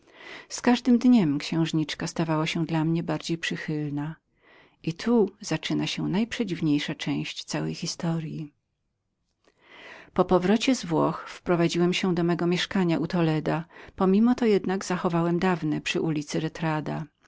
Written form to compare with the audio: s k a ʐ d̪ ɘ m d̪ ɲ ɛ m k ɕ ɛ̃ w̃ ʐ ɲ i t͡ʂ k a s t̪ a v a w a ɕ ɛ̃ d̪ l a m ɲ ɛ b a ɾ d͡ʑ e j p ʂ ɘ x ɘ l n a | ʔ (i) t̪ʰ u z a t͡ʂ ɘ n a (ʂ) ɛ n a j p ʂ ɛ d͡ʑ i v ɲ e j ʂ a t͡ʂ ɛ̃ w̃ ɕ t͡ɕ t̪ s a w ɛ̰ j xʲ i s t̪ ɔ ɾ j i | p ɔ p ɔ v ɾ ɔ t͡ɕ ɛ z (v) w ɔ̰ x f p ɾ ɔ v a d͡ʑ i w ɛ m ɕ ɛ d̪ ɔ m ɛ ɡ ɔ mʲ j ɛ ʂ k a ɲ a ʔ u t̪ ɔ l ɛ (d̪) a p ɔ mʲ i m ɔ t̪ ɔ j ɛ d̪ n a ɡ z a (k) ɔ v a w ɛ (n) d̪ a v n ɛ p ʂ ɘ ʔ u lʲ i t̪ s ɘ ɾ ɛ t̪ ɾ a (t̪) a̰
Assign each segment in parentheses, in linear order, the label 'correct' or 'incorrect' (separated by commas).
correct, incorrect, correct, correct, incorrect, incorrect, incorrect